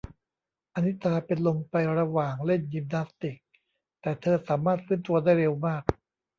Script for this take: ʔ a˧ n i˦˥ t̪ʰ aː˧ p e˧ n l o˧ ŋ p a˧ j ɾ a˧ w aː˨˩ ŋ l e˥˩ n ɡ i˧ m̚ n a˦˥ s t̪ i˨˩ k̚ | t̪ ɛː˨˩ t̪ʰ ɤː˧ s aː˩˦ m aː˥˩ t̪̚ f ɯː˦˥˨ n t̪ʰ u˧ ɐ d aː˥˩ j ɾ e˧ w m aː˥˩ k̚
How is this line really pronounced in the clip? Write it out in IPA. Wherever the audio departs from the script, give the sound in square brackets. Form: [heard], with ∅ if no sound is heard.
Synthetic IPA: ʔ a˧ n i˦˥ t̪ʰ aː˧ p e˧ n l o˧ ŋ p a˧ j ɾ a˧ w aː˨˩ ŋ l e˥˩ n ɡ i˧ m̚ n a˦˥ s t̪ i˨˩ k̚ | t̪ ɛː˨˩ t̪ʰ ɤː˧ s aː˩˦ m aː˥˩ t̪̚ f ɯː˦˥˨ n [t̪] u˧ ɐ d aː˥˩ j ɾ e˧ w m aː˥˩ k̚